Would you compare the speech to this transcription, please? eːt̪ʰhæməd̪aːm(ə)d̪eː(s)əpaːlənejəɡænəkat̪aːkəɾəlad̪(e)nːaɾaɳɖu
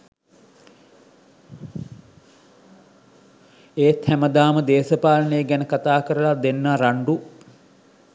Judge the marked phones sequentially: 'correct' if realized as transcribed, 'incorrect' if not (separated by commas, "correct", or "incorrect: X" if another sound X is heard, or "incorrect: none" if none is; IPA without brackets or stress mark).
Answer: correct, correct, correct